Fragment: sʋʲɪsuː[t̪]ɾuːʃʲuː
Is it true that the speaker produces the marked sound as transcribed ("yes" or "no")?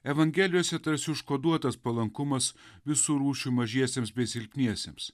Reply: no